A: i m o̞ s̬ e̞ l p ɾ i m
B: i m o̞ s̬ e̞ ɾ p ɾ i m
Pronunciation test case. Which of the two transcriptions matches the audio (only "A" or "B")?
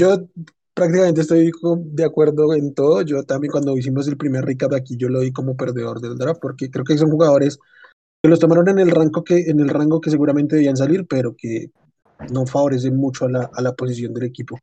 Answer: A